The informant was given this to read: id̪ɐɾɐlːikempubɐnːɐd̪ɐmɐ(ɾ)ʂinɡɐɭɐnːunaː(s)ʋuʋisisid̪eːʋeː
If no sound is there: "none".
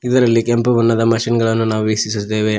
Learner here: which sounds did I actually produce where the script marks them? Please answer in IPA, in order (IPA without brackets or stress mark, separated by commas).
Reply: none, none